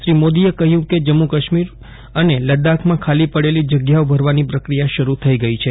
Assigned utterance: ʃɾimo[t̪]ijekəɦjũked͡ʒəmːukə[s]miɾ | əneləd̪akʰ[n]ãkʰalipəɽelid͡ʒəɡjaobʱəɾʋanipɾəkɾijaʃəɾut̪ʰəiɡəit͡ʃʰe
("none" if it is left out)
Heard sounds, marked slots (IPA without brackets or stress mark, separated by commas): d̪, ʃ, m